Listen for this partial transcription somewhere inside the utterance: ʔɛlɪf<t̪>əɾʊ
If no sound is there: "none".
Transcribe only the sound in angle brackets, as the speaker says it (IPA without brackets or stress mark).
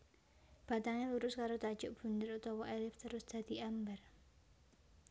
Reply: t̪